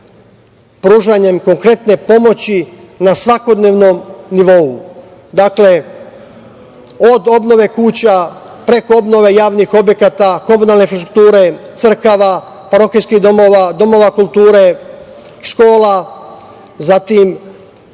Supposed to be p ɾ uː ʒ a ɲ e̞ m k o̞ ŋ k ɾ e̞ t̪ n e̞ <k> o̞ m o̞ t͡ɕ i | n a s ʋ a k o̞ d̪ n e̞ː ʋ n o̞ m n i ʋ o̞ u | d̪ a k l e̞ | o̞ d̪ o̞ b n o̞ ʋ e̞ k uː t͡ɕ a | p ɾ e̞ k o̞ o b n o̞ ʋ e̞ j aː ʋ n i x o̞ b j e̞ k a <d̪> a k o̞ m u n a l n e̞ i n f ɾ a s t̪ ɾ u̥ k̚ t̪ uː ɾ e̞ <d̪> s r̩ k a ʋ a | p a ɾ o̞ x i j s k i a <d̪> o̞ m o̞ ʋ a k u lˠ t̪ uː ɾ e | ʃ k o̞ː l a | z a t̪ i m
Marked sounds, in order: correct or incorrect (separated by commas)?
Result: incorrect, incorrect, incorrect, correct